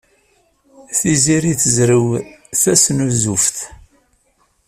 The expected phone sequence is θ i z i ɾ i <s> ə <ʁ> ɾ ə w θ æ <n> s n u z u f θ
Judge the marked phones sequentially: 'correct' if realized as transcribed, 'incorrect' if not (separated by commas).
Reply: incorrect, incorrect, incorrect